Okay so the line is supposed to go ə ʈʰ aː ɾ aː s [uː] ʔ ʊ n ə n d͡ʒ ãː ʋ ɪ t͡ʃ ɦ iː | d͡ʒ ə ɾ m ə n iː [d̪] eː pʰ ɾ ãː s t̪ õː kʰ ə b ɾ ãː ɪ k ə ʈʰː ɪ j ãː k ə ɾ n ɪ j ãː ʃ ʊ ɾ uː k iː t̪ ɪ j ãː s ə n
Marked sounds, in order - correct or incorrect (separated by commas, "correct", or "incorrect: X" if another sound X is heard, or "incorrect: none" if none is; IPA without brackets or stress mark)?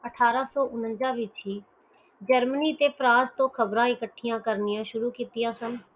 incorrect: ɔː, incorrect: t̪